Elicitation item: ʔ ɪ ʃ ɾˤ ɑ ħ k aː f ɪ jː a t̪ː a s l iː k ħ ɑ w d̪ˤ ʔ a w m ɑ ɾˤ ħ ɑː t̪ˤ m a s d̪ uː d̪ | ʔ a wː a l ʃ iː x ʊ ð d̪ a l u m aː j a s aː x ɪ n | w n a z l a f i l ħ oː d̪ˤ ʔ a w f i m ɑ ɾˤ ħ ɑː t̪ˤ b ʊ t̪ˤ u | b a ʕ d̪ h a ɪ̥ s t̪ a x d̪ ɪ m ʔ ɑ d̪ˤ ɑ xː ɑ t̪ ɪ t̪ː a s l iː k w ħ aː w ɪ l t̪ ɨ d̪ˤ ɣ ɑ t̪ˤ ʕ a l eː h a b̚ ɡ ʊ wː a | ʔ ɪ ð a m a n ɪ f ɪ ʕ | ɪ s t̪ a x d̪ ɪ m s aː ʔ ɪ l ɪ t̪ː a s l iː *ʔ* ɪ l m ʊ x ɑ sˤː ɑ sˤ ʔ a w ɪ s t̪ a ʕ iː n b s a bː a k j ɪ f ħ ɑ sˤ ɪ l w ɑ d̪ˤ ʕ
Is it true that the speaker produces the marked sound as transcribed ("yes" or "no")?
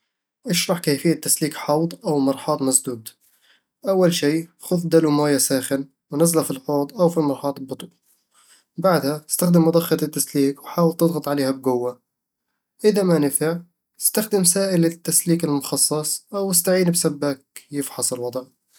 no